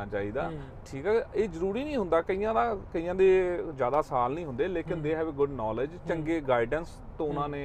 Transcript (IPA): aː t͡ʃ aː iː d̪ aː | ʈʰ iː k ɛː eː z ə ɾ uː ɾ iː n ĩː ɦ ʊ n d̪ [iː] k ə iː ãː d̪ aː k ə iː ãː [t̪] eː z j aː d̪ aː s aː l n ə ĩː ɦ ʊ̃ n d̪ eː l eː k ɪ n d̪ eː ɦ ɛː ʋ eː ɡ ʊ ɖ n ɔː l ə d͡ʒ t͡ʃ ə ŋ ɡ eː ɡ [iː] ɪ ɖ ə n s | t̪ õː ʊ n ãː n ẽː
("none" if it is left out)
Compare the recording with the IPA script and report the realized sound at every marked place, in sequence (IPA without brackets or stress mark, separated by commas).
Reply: aː, d̪, aː